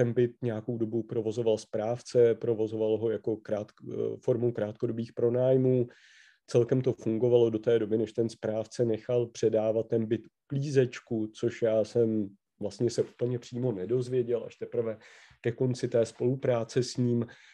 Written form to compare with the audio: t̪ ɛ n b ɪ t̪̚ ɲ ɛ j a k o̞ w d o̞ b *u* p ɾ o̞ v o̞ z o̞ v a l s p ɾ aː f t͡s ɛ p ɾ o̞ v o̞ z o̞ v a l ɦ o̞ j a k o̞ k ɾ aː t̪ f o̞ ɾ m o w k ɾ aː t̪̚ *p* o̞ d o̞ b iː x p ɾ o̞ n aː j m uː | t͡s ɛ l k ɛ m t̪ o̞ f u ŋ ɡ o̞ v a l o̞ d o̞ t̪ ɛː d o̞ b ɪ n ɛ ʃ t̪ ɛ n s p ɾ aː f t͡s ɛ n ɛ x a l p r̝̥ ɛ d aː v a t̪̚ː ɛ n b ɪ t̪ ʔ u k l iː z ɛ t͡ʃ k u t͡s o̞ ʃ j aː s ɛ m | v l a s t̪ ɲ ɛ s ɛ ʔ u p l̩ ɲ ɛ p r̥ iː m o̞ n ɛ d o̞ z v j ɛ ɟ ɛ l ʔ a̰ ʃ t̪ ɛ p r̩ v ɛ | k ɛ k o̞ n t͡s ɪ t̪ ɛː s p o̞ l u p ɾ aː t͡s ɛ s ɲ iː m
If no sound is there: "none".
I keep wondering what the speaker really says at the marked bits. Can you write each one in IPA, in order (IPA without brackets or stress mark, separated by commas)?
u, k